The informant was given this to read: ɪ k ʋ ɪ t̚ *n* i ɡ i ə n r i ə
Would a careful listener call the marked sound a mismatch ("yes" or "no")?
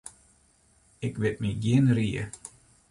yes